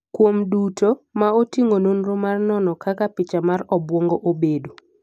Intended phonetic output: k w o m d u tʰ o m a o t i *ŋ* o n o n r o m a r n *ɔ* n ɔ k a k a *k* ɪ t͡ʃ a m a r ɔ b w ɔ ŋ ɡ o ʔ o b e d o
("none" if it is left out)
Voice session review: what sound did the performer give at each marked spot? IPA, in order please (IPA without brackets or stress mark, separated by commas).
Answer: ŋ, ɔ, p